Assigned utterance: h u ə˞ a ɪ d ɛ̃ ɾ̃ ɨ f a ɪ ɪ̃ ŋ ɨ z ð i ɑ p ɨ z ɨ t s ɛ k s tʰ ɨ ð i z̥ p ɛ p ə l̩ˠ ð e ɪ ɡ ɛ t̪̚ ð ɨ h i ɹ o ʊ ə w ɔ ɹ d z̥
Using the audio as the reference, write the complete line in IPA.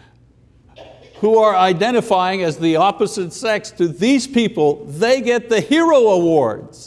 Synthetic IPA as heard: h u ə˞ a ɪ d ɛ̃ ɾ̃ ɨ f a ɪ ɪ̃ ŋ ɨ z ð i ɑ p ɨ z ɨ t s ɛ k s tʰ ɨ ð i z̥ p i p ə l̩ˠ ð e ɪ ɡ ɛ t̪̚ ð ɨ h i ɹ o ʊ ə w ɔ ɹ d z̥